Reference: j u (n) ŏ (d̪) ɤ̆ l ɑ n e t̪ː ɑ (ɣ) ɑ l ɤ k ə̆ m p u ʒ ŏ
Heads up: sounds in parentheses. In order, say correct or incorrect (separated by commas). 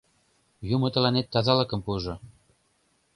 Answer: incorrect, incorrect, incorrect